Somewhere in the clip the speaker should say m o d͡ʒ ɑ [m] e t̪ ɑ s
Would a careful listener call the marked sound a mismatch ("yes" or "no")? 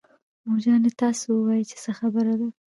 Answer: yes